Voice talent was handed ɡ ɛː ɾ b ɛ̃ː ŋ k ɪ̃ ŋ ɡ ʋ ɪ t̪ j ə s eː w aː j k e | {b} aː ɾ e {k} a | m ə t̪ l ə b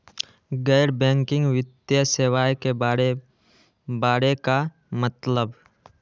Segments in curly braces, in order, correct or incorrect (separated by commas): correct, correct